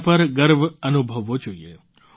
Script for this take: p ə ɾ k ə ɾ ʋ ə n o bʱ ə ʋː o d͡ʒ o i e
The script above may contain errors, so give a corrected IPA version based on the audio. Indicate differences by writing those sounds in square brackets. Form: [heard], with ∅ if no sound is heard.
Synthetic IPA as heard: p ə ɾ [ɡ] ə ɾ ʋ ə n [u] bʱ ə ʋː o d͡ʒ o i e